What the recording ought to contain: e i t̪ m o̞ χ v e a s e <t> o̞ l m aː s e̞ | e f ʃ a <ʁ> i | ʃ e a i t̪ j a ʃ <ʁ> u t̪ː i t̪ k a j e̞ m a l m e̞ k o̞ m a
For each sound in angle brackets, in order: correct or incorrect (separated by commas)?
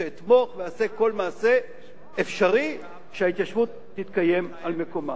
incorrect, correct, incorrect